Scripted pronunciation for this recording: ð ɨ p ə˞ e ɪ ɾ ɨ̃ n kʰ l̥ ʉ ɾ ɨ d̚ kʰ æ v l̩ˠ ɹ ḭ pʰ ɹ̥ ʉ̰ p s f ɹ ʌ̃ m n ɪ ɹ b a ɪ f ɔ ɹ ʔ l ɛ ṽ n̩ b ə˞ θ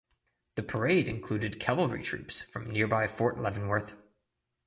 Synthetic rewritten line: ð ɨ pʰ ə˞ e ɪ ɾ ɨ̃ n kʰ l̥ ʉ ɾ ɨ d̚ kʰ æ v l̩ˠ ɹ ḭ tʰ ɹ̥ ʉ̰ p s f ɹ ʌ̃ m n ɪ ɹ b a ɪ f ɔ ɹ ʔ l ɛ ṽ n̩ w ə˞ θ